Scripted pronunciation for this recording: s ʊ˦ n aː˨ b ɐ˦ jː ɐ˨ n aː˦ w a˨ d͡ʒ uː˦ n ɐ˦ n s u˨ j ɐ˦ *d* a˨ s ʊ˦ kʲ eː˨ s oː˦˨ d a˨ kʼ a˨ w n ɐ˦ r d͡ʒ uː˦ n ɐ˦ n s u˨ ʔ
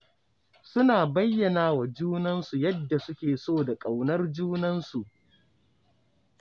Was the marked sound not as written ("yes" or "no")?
yes